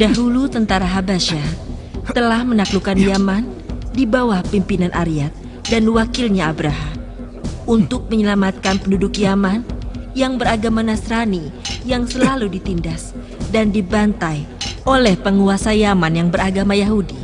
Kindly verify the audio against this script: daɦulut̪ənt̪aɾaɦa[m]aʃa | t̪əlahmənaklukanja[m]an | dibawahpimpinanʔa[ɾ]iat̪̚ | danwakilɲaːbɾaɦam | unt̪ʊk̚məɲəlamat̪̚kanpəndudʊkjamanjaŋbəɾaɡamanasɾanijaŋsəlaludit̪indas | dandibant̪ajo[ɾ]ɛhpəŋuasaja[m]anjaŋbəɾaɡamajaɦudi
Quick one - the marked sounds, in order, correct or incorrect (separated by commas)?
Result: incorrect, correct, correct, incorrect, correct